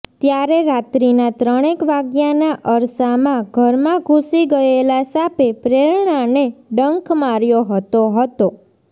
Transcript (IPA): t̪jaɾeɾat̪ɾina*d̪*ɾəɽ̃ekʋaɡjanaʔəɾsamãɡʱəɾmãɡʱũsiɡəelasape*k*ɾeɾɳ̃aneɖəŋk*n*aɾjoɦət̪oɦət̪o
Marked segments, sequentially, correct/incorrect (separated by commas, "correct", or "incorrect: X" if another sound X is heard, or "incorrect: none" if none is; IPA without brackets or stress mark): incorrect: t̪, incorrect: p, incorrect: m